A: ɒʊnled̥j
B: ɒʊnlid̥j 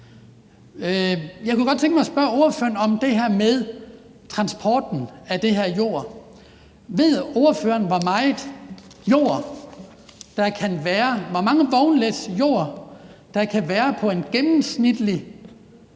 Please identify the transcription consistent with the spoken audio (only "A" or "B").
A